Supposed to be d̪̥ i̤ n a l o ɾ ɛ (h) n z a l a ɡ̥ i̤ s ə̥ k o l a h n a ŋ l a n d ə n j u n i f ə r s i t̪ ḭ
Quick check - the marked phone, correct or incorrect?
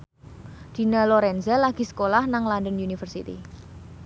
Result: incorrect